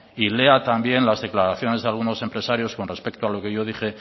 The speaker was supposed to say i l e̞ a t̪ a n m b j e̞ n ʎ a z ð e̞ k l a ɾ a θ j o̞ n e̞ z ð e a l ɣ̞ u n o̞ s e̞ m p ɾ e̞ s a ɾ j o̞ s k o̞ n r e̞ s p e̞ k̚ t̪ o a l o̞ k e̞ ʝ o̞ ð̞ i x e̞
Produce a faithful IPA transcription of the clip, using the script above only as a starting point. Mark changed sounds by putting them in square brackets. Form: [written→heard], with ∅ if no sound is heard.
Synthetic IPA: i l e̞ a t̪ a [n→∅] m b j e̞ n [ʎ→l] a z ð e̞ k l a ɾ a θ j o̞ n e̞ z ð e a l ɣ̞ u n o̞ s e̞ m p ɾ e̞ s a ɾ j o̞ s k o̞ n r e̞ s p e̞ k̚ t̪ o a l o̞ k e̞ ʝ o̞ ð̞ i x e̞